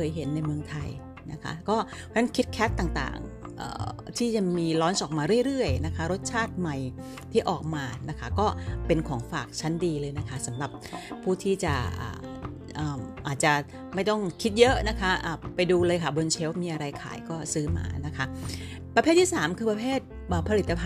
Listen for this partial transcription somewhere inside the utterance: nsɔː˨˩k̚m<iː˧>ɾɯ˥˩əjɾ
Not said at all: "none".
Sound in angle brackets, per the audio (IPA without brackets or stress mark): aː˧